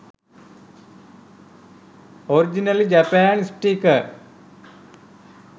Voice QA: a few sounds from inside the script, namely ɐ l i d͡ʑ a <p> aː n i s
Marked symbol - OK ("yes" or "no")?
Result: yes